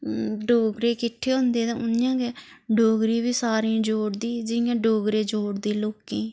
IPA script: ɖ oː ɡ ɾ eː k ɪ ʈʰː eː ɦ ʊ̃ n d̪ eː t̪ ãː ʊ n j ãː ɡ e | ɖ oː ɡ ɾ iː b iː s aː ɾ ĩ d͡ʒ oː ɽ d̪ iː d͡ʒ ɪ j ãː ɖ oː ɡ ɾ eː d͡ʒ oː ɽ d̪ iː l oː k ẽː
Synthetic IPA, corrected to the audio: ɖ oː ɡ ɾ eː k ɪ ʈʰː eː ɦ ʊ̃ n d̪ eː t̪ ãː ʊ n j ãː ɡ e | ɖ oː ɡ ɾ iː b iː s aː ɾ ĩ d͡ʒ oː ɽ d̪ iː d͡ʒ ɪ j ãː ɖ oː ɡ ɾ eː d͡ʒ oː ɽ d̪ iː l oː k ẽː